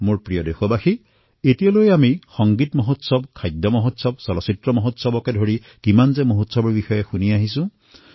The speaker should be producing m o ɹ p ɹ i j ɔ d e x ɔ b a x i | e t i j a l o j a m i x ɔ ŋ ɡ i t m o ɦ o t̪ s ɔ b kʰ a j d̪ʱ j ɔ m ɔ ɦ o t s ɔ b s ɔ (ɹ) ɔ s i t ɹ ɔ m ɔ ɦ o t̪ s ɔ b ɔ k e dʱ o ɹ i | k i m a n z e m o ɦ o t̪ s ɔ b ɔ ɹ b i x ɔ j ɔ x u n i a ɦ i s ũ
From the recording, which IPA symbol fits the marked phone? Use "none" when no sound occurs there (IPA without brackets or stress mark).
l